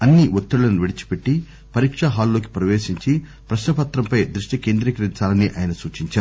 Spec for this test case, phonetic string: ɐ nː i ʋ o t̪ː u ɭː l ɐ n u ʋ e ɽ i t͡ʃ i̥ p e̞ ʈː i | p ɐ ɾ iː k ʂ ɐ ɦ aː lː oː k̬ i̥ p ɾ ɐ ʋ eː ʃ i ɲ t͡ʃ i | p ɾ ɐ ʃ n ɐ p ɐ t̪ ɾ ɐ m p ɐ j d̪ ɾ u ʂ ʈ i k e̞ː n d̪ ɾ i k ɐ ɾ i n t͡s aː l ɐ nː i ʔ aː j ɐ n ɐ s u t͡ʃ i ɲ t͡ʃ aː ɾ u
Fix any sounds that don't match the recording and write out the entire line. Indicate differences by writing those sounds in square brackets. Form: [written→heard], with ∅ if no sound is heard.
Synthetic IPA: ɐ nː i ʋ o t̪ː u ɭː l ɐ n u ʋ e ɽ i t͡ʃ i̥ p e̞ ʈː i | p ɐ ɾ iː k ʂ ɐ ɦ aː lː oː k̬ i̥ p ɾ ɐ ʋ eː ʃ i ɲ t͡ʃ i | p ɾ ɐ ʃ n ɐ p ɐ t̪ ɾ ɐ m p ɐ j d̪ ɾ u ʂ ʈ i k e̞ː n d̪ ɾ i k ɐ ɾ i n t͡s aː l ɐ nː i ʔ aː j ɐ n ɐ s [u→uː] t͡ʃ i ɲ t͡ʃ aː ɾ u

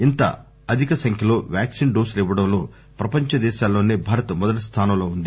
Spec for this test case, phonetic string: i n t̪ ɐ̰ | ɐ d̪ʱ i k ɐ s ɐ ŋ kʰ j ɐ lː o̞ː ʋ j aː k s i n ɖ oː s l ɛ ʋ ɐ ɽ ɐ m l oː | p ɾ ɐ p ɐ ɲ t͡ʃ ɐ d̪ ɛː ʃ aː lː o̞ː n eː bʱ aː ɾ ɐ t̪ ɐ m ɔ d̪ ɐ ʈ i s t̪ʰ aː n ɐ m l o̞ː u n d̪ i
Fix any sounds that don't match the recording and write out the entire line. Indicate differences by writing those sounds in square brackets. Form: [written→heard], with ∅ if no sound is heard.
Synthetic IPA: i n t̪ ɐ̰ | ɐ d̪ʱ i k ɐ s ɐ ŋ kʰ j ɐ [lː→l] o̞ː ʋ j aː k s i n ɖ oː s l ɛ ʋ ɐ ɽ ɐ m l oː | p ɾ ɐ p ɐ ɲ t͡ʃ ɐ d̪ ɛː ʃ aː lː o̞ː n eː bʱ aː ɾ ɐ t̪ ɐ m ɔ d̪ ɐ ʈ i s t̪ʰ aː n ɐ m l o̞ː u n d̪ i

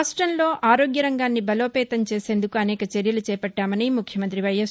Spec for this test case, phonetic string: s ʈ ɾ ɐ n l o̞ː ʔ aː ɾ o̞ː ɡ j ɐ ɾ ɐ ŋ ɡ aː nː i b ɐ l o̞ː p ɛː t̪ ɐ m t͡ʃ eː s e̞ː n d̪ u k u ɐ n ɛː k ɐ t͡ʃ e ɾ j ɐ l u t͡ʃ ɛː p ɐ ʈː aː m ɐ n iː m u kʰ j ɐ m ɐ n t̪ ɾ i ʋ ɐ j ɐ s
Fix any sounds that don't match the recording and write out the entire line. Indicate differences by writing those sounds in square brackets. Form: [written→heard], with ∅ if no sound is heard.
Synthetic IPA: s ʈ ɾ ɐ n l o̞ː ʔ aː ɾ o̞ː ɡ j ɐ ɾ ɐ ŋ ɡ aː nː i b ɐ l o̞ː p ɛː t̪ ɐ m t͡ʃ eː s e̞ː n d̪ u k u ɐ n ɛː k ɐ t͡ʃ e ɾ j ɐ l u t͡ʃ ɛː p ɐ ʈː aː m ɐ n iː m u kʰ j ɐ m ɐ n t̪ ɾ i ʋ ɐ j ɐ s

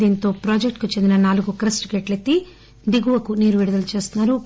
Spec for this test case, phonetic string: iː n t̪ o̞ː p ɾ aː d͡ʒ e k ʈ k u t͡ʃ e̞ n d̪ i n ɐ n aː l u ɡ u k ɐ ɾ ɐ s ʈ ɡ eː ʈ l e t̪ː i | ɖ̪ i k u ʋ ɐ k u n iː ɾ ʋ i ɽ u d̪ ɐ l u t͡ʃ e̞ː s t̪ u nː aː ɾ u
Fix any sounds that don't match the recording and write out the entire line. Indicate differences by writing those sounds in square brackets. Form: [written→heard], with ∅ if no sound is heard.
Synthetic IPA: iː n t̪ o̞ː p ɾ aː d͡ʒ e k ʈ k u t͡ʃ e̞ n d̪ i n ɐ n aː l u ɡ u k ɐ ɾ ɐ s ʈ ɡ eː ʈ l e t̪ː i | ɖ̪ i [k→ɡ] u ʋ ɐ k u n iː ɾ ʋ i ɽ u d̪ ɐ l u t͡ʃ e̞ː s t̪ u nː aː ɾ u

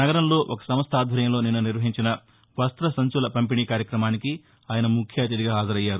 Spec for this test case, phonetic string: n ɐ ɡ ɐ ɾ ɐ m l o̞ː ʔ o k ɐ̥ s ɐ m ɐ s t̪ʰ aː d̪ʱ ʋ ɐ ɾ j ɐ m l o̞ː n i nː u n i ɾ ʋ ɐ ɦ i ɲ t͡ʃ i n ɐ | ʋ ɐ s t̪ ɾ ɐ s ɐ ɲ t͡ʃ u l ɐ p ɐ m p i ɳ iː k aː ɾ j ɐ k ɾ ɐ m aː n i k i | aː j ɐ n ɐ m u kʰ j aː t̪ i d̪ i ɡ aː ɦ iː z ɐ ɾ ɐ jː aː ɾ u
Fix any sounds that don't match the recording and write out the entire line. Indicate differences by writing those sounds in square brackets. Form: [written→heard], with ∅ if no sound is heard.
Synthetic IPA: n ɐ ɡ ɐ ɾ ɐ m l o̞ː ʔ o k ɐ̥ s ɐ m ɐ s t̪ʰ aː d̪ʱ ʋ ɐ ɾ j ɐ m l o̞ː n i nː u n i ɾ ʋ ɐ ɦ i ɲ t͡ʃ i n ɐ | ʋ ɐ s t̪ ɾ ɐ s ɐ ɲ t͡ʃ u l ɐ p ɐ m p i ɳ iː k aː ɾ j ɐ k ɾ ɐ m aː n i k i | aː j ɐ n ɐ m u kʰ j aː t̪ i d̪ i ɡ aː ɦ [iː→aː] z ɐ ɾ ɐ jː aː ɾ u

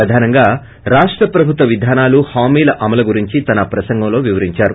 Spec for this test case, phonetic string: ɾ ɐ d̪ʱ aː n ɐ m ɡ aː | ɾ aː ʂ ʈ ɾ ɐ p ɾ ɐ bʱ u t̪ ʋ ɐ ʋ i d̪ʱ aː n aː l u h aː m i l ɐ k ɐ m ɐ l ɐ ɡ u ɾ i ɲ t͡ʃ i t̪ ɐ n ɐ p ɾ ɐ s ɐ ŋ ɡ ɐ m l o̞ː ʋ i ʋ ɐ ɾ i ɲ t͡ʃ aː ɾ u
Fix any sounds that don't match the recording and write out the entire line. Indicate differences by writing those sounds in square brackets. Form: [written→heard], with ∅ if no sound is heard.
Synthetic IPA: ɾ ɐ d̪ʱ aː n ɐ [m→ŋ] ɡ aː | ɾ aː ʂ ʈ ɾ ɐ p ɾ ɐ bʱ u t̪ ʋ ɐ ʋ i d̪ʱ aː n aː l u h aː m [i→iː] l ɐ [k→ʔ] ɐ m ɐ l ɐ ɡ u ɾ i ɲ t͡ʃ i t̪ ɐ n ɐ p ɾ ɐ s ɐ ŋ ɡ ɐ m l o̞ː ʋ i ʋ ɐ ɾ i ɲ t͡ʃ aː ɾ u

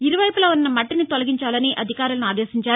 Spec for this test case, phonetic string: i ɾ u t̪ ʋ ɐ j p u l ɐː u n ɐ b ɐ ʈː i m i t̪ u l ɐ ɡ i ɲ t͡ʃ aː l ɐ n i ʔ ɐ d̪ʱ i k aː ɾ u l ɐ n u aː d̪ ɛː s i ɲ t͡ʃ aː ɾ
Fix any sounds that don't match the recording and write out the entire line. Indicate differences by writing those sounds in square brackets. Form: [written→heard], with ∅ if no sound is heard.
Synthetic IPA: i ɾ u [t̪→∅] ʋ ɐ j p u l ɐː u [n→nː] ɐ [b→m] ɐ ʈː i [m→n] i t̪ [u→ɔ] l ɐ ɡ i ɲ t͡ʃ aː l ɐ n i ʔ ɐ d̪ʱ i k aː ɾ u l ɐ n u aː d̪ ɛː s i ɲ t͡ʃ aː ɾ

